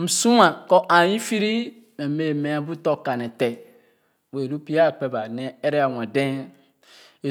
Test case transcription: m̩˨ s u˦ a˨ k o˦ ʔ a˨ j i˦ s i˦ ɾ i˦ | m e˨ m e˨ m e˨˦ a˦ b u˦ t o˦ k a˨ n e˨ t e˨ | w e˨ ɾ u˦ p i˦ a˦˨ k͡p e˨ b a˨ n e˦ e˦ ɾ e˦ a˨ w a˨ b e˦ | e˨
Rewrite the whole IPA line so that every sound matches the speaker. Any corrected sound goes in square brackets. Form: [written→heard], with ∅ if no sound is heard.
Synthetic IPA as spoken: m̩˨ s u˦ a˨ k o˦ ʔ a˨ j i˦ [s→f] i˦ ɾ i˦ | m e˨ m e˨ m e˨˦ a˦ b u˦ t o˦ k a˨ n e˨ t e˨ | w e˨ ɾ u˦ p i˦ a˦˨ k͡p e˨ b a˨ n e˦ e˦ ɾ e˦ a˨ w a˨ [b→d] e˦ | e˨

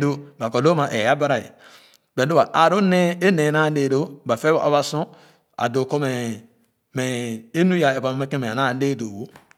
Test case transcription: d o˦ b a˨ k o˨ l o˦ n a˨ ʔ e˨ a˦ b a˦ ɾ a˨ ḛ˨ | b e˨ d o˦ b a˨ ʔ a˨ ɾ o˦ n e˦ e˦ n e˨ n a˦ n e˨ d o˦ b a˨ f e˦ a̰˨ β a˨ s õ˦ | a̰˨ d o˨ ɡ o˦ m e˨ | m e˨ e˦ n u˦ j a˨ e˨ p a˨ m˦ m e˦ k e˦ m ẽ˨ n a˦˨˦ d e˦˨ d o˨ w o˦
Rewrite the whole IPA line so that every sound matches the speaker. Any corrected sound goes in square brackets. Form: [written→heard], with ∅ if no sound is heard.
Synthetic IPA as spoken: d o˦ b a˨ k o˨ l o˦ [n→m] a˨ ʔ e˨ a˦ b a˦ ɾ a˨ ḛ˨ | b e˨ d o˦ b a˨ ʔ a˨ ɾ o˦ n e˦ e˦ n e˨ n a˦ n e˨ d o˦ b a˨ f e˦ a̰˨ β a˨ s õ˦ | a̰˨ d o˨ [ɡ→k] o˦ m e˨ | m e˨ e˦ n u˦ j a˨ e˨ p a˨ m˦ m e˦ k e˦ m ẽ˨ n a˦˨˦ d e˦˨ d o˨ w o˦

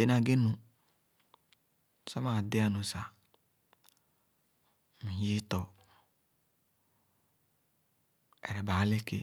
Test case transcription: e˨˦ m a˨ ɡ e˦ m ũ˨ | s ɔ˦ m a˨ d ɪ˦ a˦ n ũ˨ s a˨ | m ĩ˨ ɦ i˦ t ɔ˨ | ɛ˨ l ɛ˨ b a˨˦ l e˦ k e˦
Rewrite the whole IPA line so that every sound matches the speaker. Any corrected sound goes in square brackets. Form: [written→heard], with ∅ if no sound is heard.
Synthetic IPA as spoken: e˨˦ [m→n] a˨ ɡ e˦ [m→n] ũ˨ | s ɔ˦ m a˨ d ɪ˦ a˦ n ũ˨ s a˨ | m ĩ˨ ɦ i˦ t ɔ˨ | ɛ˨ [l→ɾ] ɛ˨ b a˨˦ l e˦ k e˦

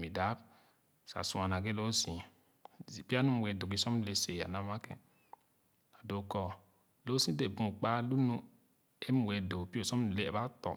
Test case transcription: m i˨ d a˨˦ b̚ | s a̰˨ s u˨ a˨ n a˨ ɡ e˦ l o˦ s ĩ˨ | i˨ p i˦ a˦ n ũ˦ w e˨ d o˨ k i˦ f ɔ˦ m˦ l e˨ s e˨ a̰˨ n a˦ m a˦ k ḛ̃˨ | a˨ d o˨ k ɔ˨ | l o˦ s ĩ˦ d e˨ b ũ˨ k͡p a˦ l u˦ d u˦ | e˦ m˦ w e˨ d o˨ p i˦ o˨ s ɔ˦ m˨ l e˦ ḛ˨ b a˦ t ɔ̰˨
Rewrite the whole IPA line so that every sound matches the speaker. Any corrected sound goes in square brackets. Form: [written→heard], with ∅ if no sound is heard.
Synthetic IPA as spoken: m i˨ d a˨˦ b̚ | s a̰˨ s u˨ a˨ n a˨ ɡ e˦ l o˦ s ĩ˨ | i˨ p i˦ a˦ n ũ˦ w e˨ d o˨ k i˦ [f→s] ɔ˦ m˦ l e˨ s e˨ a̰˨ n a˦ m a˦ k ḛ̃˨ | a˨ d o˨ k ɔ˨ | l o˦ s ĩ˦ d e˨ b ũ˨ k͡p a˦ l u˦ [d→n] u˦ | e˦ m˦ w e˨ d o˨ p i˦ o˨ s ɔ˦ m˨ l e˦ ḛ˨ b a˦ t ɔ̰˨

